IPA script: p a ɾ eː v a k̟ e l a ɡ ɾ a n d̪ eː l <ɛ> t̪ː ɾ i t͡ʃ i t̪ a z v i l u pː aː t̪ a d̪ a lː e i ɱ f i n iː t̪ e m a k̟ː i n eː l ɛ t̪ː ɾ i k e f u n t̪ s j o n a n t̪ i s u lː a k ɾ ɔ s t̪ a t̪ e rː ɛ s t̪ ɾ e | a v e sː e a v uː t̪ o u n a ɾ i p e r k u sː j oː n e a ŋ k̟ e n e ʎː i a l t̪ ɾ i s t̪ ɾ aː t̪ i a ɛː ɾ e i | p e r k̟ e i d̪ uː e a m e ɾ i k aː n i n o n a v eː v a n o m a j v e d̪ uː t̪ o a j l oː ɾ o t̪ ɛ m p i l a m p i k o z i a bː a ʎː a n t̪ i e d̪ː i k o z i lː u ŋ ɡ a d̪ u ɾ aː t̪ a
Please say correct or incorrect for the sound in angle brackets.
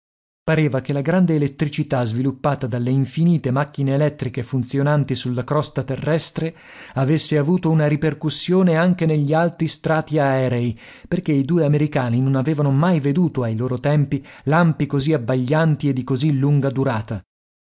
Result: incorrect